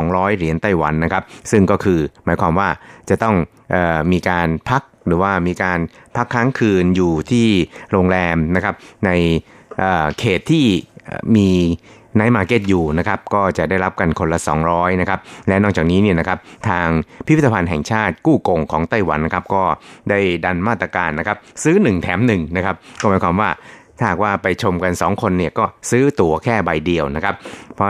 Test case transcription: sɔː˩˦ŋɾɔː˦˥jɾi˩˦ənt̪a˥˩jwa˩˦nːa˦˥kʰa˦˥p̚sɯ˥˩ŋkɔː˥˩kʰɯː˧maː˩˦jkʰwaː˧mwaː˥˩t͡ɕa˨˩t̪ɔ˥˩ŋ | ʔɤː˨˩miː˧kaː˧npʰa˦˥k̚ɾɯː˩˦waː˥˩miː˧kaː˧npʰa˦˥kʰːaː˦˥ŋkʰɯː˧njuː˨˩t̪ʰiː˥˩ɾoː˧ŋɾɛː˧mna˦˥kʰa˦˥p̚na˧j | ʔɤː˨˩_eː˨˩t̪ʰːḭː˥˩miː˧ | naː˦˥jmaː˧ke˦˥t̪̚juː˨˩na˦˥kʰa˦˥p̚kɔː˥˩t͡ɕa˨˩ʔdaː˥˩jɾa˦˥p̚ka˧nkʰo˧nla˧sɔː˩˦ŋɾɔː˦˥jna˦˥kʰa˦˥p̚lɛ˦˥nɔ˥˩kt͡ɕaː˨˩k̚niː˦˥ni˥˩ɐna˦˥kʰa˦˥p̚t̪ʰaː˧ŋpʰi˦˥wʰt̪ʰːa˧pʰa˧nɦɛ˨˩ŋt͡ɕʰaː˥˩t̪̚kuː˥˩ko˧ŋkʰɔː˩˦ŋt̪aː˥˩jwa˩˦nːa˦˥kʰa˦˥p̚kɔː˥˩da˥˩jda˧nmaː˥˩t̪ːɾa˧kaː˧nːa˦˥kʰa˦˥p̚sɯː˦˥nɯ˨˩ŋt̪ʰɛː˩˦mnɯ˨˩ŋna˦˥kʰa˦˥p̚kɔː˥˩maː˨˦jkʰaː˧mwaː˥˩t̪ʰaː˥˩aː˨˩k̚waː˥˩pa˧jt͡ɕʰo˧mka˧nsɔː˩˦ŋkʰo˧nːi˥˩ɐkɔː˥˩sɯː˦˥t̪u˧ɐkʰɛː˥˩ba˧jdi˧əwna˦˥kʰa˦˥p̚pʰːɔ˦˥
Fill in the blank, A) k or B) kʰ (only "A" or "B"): B